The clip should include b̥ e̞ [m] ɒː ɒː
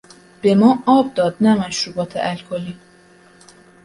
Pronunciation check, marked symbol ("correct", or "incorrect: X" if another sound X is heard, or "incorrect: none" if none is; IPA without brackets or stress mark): correct